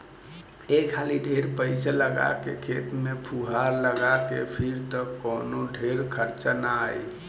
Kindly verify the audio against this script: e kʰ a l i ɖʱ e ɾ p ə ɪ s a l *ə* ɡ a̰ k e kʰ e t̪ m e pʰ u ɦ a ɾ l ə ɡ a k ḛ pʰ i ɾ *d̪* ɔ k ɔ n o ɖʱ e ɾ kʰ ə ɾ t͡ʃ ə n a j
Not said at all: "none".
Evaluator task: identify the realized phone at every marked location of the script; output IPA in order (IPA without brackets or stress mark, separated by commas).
ə, t̪